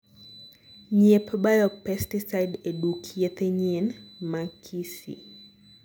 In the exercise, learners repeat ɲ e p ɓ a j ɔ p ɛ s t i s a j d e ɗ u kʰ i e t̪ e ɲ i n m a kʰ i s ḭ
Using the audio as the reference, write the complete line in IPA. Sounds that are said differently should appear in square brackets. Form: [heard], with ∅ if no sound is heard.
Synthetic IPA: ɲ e p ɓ a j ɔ p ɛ s t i s a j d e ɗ u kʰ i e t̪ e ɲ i n m a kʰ i s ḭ